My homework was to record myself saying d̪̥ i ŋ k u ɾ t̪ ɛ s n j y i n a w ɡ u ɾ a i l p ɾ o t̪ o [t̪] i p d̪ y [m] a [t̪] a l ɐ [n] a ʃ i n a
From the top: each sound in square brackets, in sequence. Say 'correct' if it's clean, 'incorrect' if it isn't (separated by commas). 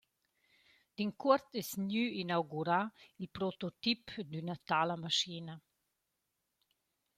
correct, incorrect, correct, incorrect